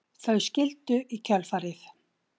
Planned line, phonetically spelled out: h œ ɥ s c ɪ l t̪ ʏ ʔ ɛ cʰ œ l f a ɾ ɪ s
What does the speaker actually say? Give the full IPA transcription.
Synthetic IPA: θ œ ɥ s c ɪ l t̪ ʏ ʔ i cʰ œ l f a ɾ ɪ θ